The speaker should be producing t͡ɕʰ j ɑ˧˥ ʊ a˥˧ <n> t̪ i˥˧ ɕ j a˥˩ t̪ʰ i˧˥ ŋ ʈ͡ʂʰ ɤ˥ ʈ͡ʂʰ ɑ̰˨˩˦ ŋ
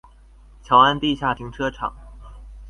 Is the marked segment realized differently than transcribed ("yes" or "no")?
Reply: no